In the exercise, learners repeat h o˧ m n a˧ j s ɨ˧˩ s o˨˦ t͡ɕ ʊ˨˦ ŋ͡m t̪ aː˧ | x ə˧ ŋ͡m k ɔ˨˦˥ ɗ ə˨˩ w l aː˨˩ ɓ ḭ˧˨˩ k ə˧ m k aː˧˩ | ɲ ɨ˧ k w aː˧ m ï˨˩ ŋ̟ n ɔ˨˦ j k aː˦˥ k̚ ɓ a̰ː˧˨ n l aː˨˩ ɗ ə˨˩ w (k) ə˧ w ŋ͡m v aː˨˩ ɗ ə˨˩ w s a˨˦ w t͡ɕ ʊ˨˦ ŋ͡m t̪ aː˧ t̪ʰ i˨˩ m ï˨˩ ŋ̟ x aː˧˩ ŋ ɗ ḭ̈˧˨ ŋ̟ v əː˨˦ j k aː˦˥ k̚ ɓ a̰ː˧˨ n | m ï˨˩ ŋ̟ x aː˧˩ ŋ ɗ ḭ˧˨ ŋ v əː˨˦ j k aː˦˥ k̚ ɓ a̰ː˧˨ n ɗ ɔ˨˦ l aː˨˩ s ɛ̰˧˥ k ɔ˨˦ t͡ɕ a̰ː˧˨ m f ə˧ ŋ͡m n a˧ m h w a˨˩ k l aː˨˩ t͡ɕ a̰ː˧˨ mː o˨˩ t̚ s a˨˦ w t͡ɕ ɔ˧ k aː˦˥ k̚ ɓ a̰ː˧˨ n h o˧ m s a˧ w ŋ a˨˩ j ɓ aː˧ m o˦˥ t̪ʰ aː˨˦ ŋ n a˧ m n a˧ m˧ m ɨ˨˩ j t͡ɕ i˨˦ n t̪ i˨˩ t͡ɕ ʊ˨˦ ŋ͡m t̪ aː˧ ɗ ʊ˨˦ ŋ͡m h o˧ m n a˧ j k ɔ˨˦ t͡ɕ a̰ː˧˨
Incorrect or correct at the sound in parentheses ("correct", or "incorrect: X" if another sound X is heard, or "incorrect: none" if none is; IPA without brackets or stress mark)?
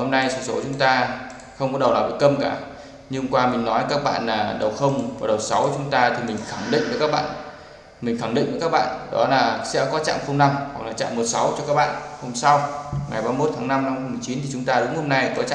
incorrect: x